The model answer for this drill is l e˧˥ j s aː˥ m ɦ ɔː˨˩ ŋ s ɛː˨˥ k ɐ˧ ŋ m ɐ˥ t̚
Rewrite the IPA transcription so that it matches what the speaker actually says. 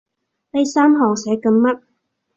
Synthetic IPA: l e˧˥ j s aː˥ m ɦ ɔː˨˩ ŋ s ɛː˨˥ k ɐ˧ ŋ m ɐ˥ t̚